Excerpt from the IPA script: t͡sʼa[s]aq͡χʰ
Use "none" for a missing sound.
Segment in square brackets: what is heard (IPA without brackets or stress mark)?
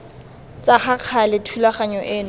χ